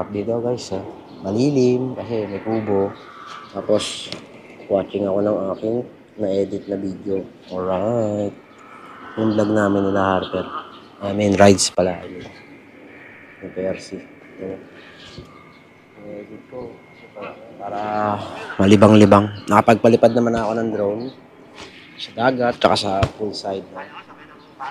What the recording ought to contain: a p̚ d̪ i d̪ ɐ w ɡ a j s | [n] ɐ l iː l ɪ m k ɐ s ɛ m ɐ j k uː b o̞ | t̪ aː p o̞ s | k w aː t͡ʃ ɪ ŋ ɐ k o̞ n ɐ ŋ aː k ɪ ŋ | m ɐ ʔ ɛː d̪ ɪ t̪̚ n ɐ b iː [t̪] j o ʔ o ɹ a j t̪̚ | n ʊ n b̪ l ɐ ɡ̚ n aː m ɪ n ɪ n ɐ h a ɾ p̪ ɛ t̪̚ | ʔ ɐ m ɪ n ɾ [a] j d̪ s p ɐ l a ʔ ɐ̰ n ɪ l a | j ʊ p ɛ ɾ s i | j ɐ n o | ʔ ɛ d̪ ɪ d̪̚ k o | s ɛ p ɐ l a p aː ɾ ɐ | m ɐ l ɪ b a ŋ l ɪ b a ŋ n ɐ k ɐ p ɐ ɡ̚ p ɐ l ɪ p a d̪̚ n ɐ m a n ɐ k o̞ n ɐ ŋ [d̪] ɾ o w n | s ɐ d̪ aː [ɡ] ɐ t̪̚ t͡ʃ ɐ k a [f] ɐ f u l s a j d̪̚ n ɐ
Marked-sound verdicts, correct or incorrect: incorrect, incorrect, correct, correct, correct, incorrect

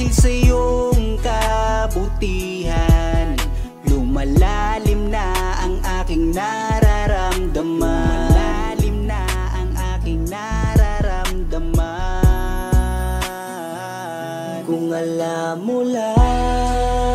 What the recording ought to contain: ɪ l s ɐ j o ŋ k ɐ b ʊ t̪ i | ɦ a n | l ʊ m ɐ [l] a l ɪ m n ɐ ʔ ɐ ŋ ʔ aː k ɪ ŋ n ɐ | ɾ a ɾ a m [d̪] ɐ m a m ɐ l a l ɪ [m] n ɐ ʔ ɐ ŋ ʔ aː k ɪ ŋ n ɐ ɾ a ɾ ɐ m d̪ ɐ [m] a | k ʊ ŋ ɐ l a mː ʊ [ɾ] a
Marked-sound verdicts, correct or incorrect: correct, correct, correct, correct, incorrect

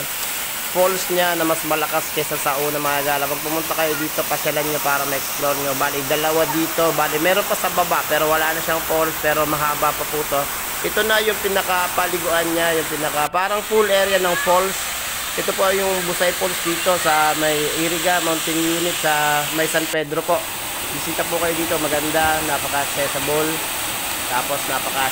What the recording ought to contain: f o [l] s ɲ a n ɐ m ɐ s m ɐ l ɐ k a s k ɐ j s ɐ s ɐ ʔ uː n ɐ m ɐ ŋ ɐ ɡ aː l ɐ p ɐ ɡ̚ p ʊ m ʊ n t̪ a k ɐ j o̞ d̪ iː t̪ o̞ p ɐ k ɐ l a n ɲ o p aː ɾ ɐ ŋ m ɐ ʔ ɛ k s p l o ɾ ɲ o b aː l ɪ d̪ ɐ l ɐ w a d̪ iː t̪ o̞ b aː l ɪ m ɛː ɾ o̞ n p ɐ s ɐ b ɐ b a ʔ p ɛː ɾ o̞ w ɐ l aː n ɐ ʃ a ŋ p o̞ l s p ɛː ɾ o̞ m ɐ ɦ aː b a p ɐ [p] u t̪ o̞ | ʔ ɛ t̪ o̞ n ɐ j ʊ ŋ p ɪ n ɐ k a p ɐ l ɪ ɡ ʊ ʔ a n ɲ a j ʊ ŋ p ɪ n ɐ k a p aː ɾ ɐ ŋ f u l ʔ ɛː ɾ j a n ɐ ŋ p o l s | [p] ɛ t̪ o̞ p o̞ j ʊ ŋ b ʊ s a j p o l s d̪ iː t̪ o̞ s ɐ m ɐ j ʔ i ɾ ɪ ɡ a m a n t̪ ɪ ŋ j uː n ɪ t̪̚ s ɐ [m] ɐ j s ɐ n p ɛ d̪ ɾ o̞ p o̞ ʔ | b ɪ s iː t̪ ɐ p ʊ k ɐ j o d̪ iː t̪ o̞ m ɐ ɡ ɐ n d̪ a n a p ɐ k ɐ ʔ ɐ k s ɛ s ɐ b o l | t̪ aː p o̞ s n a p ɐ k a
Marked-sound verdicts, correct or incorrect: correct, correct, incorrect, correct

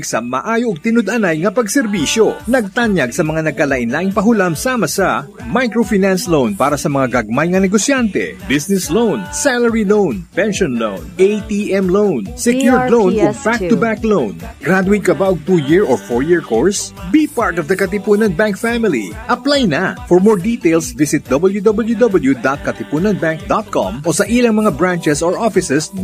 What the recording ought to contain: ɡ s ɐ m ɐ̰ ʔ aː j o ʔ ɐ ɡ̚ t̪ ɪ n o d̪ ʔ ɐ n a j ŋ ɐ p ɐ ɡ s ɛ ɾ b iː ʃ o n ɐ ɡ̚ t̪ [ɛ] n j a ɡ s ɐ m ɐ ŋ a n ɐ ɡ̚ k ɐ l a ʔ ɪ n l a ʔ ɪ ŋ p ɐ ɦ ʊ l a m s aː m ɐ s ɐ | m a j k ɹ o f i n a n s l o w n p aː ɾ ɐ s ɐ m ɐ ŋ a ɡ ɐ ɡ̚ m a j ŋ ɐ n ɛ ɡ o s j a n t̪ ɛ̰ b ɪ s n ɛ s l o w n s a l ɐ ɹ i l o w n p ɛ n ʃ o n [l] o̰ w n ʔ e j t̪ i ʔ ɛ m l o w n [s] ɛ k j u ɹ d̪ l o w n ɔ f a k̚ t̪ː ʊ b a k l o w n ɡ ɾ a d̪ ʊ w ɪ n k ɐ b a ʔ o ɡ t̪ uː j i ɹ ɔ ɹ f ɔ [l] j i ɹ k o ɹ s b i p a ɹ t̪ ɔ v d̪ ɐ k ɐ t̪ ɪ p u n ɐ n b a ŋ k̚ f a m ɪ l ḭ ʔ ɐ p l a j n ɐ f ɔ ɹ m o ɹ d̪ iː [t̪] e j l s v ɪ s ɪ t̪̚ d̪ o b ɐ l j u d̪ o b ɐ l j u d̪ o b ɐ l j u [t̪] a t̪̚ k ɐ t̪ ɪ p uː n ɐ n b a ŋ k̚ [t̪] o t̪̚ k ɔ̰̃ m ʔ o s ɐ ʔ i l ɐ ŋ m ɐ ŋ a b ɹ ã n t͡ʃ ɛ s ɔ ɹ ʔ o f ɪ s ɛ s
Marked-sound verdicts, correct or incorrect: incorrect, correct, correct, incorrect, correct, incorrect, incorrect

